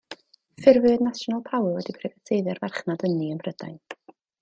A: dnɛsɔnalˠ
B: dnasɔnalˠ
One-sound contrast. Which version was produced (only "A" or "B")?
B